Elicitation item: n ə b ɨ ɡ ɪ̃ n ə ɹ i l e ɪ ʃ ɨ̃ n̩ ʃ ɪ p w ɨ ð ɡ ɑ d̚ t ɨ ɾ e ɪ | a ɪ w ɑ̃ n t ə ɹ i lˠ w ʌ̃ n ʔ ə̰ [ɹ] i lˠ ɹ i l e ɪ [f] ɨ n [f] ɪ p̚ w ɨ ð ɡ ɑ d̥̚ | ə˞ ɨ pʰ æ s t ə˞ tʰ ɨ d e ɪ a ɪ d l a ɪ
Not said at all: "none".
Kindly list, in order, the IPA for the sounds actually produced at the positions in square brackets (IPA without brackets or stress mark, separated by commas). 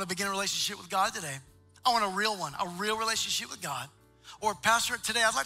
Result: ɹ, ʃ, ʃ